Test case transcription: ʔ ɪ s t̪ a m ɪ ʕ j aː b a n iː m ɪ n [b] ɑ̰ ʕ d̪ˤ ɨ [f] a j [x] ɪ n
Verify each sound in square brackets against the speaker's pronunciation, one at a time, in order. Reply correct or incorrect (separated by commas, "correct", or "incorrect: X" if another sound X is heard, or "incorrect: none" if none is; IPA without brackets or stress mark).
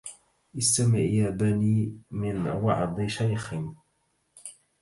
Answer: incorrect: w, incorrect: ʃ, correct